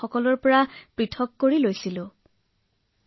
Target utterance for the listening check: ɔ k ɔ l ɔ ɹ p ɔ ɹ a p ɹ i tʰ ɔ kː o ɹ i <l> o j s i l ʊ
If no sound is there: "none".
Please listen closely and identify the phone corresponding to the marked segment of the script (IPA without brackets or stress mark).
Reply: l